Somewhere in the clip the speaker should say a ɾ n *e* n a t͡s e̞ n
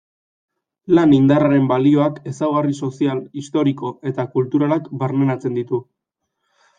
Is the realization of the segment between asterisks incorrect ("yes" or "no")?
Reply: no